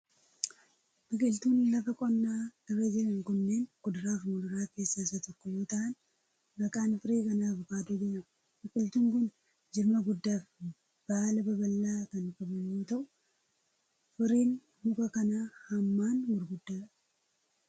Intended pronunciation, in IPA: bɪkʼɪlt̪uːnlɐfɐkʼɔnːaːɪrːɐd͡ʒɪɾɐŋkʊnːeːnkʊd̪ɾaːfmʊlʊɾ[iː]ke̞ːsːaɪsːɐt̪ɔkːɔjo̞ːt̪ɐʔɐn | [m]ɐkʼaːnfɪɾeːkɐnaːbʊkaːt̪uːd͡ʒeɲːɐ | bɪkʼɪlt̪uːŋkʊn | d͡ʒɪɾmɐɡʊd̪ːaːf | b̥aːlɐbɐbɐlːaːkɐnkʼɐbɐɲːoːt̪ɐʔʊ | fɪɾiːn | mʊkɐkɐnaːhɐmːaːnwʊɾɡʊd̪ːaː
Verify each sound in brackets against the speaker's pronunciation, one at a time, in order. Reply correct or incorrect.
incorrect, incorrect

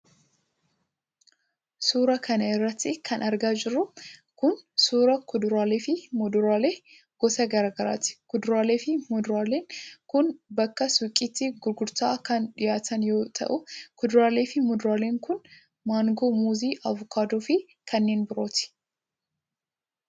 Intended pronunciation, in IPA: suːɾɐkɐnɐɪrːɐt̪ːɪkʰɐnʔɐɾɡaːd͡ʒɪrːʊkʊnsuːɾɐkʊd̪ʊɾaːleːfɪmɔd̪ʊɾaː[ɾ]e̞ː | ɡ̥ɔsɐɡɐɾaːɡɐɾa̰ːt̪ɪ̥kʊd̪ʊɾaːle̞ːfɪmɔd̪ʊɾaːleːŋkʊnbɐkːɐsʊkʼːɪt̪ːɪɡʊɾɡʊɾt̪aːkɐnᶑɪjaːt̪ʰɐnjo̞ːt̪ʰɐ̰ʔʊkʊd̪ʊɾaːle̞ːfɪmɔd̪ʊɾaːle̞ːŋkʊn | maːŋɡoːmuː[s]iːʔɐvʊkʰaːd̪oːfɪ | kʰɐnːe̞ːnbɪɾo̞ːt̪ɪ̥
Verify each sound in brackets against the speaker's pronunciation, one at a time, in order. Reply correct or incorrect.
incorrect, incorrect

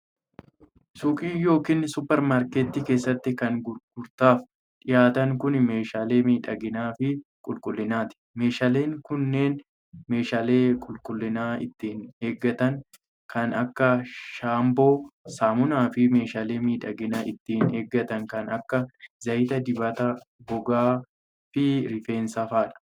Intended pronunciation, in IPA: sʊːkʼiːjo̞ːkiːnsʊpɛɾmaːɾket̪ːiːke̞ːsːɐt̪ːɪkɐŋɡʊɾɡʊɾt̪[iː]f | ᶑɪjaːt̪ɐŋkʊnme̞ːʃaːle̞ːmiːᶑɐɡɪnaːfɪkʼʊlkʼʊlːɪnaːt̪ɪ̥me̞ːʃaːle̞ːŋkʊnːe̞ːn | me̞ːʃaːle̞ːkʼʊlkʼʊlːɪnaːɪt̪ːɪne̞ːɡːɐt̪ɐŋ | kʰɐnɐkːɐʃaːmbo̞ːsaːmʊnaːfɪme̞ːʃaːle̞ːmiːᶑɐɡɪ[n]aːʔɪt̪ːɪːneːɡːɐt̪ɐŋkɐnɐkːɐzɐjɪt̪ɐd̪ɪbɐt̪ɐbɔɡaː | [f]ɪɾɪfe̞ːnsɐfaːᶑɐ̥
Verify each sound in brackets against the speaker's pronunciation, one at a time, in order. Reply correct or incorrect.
incorrect, correct, correct

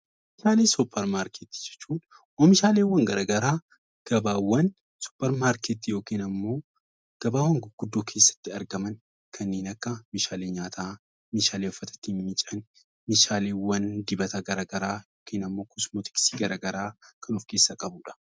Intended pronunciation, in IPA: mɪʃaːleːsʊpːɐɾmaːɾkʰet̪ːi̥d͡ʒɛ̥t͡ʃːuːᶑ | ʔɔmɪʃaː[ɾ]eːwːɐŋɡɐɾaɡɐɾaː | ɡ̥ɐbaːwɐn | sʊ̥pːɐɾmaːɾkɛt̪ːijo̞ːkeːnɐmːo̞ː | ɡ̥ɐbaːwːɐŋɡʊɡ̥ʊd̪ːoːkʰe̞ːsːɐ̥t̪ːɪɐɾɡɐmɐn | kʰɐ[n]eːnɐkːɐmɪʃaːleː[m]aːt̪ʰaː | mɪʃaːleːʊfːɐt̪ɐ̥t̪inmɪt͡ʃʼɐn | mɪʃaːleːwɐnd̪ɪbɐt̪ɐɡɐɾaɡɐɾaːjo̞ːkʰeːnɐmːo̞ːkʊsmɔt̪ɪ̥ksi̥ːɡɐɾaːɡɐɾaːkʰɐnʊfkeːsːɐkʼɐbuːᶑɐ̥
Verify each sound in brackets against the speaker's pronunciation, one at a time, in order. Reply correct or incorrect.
incorrect, incorrect, incorrect

